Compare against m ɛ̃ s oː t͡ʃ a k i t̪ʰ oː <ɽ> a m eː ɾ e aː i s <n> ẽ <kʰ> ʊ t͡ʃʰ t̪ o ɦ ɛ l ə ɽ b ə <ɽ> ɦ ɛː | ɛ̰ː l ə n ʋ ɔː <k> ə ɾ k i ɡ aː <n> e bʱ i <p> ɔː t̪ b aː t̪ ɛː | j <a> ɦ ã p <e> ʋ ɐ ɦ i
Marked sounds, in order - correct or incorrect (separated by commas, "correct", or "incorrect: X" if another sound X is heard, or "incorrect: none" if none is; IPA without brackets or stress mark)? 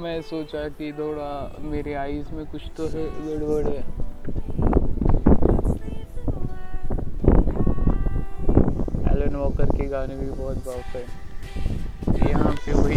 correct, incorrect: m, incorrect: k, correct, correct, correct, incorrect: b, incorrect: ɐ, correct